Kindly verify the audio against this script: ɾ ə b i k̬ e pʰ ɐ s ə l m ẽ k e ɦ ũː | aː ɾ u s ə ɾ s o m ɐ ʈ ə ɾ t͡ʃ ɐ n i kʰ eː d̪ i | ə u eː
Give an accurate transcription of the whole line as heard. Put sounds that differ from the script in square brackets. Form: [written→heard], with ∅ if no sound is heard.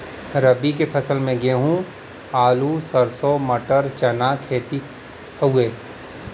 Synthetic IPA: ɾ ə b i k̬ e pʰ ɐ s ə l m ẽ [k→ɡ] e ɦ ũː | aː [ɾ→l] u s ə ɾ s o m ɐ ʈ ə ɾ t͡ʃ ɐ n [i→a] kʰ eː [d̪→t̪] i | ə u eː